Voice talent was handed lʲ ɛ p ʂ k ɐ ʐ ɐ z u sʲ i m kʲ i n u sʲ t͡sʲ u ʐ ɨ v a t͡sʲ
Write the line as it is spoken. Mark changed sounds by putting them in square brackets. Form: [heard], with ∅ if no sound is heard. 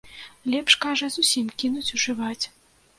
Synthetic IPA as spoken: lʲ ɛ p ʂ k [a] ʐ ɐ z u sʲ i m kʲ i n u [∅] t͡sʲ u ʐ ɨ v a t͡sʲ